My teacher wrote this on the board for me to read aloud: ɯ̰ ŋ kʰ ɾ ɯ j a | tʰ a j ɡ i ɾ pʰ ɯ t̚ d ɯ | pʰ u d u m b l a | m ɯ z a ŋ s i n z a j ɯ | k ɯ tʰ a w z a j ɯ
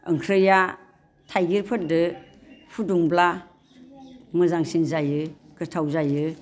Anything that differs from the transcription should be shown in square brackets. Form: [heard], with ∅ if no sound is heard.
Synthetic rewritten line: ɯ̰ ŋ kʰ ɾ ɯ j a | tʰ a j ɡ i ɾ pʰ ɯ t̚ d ɯ | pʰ u d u [ŋ] b l a | m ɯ z a ŋ s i n z a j ɯ | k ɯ tʰ a w z a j ɯ